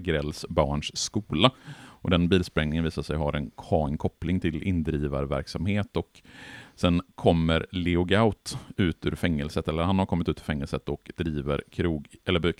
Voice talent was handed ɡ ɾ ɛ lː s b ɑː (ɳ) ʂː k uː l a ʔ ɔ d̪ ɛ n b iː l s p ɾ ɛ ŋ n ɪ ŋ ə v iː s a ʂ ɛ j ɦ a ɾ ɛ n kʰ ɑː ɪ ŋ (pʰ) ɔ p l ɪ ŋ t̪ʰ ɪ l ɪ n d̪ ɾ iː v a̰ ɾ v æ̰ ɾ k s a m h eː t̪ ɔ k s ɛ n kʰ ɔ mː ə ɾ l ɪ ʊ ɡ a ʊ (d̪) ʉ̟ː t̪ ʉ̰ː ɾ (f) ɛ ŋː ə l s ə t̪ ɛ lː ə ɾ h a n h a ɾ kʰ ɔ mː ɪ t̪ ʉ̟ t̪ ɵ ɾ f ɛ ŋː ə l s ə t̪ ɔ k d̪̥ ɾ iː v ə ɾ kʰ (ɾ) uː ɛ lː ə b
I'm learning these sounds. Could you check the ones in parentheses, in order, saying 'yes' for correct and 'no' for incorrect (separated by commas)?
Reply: yes, no, no, yes, yes